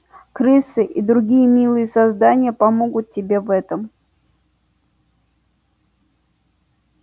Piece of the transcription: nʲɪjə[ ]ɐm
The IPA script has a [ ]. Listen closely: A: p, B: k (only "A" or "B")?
A